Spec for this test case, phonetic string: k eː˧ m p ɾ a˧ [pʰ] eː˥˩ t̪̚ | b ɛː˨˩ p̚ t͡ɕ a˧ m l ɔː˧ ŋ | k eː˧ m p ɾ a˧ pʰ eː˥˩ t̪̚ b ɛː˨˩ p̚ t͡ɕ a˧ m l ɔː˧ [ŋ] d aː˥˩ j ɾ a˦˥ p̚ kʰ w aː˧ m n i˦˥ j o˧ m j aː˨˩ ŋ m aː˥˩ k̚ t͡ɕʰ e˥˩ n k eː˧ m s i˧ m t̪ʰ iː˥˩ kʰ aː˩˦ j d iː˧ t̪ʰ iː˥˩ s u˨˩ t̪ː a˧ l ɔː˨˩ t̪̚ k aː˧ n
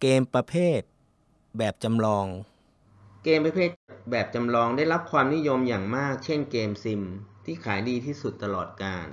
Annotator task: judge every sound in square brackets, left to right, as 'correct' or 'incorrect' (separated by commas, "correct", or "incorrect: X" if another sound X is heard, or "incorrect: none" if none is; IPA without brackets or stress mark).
correct, correct